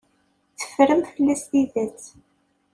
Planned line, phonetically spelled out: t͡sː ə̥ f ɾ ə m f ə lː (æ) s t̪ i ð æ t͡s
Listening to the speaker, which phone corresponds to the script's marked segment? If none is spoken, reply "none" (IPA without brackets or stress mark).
æ